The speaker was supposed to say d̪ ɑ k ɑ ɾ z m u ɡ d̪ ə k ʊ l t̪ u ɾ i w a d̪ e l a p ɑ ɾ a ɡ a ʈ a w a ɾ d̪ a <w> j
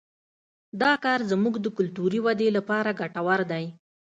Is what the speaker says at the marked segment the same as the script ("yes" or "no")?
no